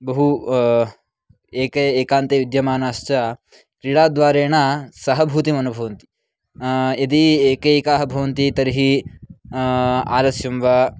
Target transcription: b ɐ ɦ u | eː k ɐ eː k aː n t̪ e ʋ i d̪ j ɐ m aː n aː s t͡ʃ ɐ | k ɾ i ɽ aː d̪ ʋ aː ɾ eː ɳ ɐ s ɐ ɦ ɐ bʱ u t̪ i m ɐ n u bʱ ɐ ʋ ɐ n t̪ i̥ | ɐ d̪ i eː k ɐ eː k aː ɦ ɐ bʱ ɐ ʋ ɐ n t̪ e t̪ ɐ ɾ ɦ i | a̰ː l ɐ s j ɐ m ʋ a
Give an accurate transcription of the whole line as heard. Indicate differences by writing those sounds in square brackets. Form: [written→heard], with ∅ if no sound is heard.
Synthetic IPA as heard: b ɐ ɦ u | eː k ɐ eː k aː n t̪ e ʋ i d̪ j ɐ m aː n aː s t͡ʃ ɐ | k ɾ i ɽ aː d̪ ʋ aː ɾ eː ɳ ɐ s ɐ ɦ ɐ bʱ u t̪ i m ɐ n u bʱ ɐ ʋ ɐ n t̪ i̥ | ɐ d̪ i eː k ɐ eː k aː ɦ ɐ bʱ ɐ ʋ ɐ n t̪ [e→i] t̪ ɐ ɾ ɦ i | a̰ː l ɐ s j ɐ m ʋ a